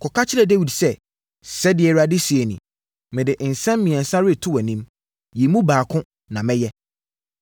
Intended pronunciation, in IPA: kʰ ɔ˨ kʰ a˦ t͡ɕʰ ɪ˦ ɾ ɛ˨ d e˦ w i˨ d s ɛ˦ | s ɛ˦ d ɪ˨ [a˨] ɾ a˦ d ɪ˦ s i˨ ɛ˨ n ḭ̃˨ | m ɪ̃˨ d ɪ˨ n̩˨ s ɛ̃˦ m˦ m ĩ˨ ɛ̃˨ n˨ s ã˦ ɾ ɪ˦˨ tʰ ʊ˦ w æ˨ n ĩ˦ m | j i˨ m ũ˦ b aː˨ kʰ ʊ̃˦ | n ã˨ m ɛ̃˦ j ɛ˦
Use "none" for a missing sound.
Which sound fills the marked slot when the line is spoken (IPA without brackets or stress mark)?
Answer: ɛ˨